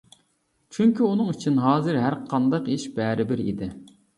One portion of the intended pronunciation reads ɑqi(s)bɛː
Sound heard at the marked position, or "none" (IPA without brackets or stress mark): ʃ